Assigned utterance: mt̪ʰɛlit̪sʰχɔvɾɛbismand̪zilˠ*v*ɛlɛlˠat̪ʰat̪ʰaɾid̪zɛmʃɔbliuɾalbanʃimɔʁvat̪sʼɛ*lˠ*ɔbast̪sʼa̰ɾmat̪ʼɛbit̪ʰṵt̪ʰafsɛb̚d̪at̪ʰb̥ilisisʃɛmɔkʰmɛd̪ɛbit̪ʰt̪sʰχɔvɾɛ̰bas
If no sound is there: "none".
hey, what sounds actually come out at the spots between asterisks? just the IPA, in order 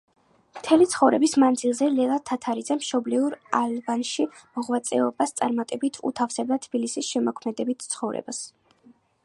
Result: z, none

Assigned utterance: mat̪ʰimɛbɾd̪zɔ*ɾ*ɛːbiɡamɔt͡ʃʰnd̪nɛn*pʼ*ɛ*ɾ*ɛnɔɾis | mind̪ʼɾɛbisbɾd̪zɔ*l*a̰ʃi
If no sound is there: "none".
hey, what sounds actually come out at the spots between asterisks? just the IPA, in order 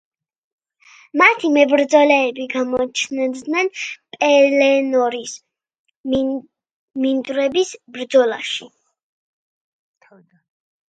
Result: l, pʼ, l, l

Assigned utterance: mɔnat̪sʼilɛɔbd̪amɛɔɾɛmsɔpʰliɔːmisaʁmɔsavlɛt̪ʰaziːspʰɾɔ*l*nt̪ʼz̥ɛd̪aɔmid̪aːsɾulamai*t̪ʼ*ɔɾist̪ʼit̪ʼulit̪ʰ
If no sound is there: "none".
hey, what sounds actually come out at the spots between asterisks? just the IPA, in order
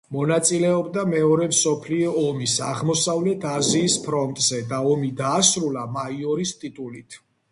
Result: none, none

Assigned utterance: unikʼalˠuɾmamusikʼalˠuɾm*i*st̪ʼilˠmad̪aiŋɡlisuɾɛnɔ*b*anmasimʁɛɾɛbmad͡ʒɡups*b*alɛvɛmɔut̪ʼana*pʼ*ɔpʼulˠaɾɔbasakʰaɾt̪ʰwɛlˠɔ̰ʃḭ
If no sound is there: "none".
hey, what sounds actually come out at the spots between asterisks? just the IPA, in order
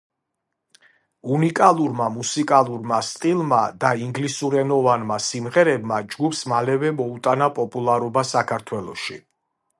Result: a, v, m, pʼ

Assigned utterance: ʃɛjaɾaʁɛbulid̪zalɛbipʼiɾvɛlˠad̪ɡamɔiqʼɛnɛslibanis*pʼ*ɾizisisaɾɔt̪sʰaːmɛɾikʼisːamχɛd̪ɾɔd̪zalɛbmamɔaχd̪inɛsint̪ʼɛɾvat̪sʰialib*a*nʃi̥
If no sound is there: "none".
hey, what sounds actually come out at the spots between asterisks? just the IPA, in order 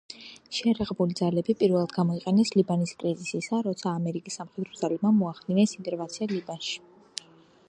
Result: kʼ, a

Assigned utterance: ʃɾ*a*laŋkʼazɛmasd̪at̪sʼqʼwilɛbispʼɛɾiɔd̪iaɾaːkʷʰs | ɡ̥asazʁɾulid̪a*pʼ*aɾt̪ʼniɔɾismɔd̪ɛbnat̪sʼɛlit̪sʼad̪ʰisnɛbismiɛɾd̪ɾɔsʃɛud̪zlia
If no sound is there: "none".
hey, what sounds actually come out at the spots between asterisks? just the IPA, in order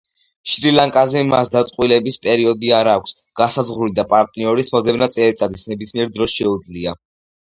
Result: i, pʼ

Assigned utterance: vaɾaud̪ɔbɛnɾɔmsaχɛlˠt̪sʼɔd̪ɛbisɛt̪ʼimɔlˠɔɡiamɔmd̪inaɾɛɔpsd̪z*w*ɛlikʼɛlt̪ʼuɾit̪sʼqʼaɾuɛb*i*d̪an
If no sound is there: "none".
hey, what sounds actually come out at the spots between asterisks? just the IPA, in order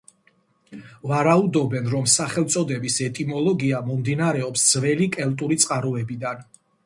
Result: v, i

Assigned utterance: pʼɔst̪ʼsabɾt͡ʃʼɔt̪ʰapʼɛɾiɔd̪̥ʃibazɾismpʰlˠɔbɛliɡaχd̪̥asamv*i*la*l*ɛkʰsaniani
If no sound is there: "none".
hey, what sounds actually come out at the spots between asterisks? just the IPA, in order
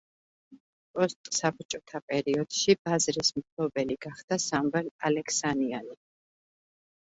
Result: ɛ, l

